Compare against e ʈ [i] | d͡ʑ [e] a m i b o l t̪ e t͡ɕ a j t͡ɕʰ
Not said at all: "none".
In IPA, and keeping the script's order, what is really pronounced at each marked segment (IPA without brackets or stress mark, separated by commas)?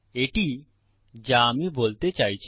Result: i, a